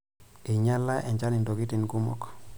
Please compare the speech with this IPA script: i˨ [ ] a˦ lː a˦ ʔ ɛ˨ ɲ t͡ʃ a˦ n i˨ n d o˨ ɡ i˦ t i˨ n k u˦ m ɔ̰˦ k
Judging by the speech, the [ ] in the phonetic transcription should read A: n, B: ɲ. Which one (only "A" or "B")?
B